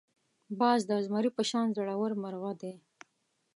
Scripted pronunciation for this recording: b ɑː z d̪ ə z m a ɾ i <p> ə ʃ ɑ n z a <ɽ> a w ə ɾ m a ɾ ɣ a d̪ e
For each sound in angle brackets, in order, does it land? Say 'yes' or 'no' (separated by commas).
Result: yes, yes